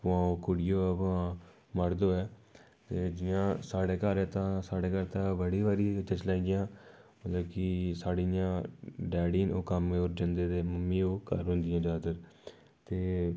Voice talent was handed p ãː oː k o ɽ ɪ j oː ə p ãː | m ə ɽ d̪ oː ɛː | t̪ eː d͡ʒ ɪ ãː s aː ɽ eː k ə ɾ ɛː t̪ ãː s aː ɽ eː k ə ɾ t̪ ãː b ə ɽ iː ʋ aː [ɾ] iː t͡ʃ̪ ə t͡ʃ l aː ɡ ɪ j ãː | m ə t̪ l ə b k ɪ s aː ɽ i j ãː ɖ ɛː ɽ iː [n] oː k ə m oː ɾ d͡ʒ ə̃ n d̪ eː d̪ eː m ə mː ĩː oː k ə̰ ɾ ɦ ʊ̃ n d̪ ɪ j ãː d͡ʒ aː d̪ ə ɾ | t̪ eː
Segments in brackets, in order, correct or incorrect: correct, correct

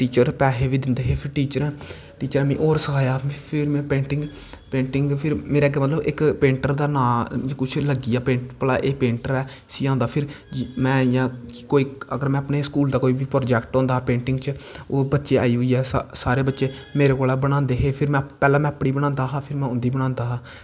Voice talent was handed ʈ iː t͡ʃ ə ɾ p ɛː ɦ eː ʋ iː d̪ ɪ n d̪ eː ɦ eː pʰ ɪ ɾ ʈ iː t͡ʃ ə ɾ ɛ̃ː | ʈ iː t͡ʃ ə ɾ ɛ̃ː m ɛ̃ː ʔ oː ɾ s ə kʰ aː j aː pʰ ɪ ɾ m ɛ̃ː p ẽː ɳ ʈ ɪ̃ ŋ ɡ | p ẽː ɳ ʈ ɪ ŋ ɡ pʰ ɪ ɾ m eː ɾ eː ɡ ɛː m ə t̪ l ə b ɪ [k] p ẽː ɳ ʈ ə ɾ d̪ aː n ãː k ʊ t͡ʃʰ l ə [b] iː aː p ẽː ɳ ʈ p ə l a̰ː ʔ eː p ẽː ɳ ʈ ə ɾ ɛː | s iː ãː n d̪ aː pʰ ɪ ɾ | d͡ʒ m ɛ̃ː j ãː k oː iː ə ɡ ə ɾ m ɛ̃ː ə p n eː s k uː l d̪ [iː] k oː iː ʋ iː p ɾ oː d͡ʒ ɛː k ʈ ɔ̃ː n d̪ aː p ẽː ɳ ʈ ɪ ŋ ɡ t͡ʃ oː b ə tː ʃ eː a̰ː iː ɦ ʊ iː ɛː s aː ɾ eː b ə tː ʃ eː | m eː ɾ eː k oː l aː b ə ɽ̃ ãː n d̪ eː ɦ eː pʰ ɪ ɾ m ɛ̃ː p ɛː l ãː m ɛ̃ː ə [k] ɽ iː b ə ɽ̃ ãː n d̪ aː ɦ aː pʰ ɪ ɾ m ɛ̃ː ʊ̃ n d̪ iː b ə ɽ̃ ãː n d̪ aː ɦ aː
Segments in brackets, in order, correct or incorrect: correct, incorrect: ɡ, incorrect: aː, incorrect: p

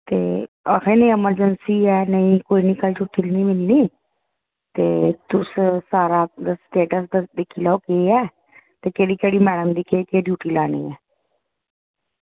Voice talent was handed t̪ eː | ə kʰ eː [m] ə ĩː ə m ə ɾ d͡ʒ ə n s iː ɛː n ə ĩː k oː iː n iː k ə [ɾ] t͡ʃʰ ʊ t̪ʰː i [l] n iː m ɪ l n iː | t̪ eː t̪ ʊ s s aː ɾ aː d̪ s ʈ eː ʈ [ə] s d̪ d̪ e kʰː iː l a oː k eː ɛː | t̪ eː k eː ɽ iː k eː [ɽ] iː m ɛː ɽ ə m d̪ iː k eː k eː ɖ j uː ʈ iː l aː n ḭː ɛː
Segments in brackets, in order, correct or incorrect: incorrect: n, incorrect: l, correct, correct, correct

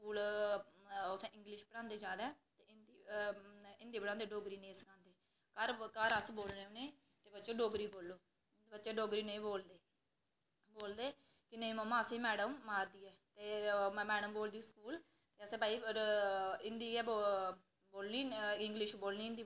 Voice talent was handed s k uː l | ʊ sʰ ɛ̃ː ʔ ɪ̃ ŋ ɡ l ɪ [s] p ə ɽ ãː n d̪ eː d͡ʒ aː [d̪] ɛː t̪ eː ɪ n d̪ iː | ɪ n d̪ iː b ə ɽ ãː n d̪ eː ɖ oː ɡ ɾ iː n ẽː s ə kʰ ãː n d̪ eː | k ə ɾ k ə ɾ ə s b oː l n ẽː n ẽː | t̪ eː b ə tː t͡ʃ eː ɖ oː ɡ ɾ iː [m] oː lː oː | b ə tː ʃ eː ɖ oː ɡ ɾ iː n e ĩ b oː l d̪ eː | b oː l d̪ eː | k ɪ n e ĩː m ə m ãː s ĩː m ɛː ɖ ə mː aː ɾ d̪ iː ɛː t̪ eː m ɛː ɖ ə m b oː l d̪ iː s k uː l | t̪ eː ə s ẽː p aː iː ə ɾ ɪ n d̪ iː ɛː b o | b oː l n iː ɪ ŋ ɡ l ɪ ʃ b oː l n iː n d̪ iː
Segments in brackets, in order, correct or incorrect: incorrect: ʃ, correct, incorrect: b

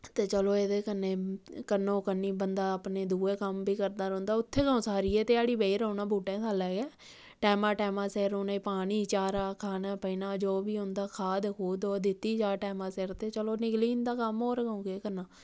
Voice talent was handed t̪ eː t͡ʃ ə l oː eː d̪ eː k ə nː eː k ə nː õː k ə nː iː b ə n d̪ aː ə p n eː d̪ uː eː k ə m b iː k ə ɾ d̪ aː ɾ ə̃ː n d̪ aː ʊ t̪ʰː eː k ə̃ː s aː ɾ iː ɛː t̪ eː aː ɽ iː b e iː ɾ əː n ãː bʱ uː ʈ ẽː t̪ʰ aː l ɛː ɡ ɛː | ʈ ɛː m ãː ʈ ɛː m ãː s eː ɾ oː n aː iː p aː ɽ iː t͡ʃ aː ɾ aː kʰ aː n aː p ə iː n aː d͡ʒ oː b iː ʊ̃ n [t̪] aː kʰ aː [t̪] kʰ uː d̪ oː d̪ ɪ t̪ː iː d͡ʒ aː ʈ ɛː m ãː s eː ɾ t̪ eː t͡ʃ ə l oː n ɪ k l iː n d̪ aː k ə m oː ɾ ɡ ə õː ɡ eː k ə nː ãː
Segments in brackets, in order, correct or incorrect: incorrect: d̪, incorrect: d̪

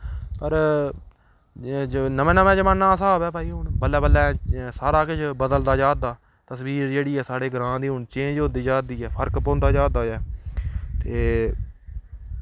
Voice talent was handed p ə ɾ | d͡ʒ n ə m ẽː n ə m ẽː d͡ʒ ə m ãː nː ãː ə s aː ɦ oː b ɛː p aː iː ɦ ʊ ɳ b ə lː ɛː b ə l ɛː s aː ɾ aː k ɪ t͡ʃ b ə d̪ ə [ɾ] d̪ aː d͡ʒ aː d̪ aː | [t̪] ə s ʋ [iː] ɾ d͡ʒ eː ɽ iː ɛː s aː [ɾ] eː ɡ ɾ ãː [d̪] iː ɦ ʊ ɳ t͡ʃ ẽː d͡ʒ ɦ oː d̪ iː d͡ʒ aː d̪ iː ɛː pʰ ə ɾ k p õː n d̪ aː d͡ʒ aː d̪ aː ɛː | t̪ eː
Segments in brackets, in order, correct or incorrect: incorrect: l, correct, correct, incorrect: ɽ, correct

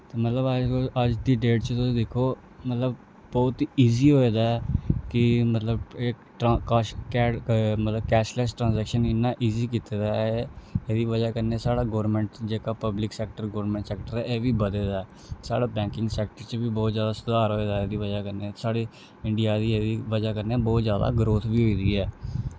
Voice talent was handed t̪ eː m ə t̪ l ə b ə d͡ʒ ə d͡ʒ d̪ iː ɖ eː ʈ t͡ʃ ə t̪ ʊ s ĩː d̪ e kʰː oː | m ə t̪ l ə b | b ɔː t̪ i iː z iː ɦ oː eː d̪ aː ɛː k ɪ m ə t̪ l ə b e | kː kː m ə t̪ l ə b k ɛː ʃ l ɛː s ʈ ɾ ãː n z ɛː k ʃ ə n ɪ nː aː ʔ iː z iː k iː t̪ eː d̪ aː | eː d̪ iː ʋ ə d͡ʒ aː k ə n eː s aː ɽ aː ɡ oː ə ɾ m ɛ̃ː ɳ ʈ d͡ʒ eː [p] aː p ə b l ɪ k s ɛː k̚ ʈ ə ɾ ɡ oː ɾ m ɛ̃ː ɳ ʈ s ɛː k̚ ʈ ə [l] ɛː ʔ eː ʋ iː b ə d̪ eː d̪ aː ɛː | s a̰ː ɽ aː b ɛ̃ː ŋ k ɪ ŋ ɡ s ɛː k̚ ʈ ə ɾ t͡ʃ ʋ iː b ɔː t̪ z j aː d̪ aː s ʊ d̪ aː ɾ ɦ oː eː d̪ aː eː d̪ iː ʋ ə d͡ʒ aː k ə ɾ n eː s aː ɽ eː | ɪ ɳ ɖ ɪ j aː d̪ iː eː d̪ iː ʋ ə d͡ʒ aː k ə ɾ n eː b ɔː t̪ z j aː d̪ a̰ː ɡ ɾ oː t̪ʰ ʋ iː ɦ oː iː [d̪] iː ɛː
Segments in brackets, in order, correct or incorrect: incorrect: k, incorrect: ɾ, correct

